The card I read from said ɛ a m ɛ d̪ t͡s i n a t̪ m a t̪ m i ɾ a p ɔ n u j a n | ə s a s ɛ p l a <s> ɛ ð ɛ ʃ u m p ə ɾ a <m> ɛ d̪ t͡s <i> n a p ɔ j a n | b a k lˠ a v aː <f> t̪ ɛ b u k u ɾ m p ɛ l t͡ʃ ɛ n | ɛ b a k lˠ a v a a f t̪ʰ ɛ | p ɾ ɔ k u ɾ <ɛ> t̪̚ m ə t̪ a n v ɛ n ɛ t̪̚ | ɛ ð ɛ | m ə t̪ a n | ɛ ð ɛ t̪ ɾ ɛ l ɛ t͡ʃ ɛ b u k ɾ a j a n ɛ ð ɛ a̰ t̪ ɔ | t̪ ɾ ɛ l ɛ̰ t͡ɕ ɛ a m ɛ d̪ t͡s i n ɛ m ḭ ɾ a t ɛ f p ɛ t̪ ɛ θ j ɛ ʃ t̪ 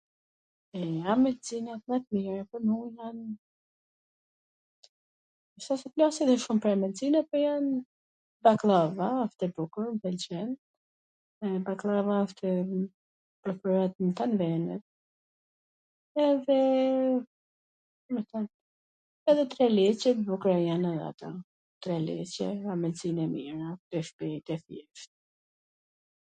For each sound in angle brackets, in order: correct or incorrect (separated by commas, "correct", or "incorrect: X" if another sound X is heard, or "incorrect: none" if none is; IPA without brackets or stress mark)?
correct, correct, correct, correct, incorrect: a